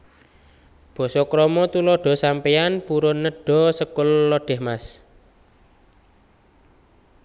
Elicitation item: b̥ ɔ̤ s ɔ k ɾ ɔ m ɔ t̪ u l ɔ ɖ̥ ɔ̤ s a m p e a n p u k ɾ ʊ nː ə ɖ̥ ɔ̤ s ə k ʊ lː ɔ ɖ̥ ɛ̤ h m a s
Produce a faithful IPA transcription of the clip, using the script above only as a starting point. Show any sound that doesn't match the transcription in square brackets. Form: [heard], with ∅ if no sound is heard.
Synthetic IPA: b̥ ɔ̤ s ɔ k ɾ ɔ m ɔ t̪ u l ɔ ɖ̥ ɔ̤ s a m p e a n p u [∅] ɾ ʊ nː ə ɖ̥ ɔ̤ s ə k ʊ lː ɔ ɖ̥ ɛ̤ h m a s

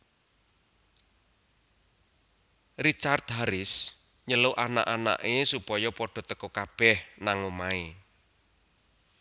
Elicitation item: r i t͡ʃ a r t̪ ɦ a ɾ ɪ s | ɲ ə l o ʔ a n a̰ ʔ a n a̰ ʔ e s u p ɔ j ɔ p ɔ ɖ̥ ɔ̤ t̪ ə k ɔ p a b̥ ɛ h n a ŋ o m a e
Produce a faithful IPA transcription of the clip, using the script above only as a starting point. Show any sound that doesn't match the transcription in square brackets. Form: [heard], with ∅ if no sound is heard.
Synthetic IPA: r i t͡ʃ a r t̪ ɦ a ɾ ɪ s | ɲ ə l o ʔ a n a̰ ʔ a n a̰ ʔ e s u p ɔ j ɔ p ɔ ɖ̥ ɔ̤ t̪ ə k ɔ [k] a b̥ ɛ h n a ŋ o m a e

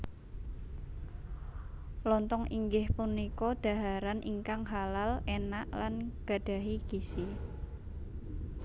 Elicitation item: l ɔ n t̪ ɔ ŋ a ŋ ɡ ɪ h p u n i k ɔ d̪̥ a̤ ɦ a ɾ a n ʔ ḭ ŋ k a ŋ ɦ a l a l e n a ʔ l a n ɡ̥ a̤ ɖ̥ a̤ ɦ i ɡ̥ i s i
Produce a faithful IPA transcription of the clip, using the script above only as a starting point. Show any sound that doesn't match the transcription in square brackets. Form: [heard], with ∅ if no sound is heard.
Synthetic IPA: l ɔ n t̪ ɔ ŋ [i] ŋ ɡ ɪ h p u n i k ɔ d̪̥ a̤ ɦ a ɾ a n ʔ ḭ ŋ k a ŋ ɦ a l a l e n a ʔ l a n ɡ̥ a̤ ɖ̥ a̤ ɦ i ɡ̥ i s i

